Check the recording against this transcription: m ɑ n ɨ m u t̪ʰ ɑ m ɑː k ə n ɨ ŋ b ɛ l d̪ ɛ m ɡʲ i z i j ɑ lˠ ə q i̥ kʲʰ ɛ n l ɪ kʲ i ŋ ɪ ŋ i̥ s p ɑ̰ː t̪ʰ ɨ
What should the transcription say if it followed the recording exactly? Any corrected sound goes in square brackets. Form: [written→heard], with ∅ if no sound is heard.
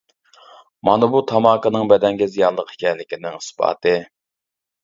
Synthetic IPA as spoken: m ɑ n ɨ [m→b] u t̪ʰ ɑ m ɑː k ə n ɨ ŋ b ɛ [l→∅] d̪ ɛ [m→ŋ] ɡʲ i z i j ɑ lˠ ə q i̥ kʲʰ ɛ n l ɪ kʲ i [ŋ→n] ɪ ŋ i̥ s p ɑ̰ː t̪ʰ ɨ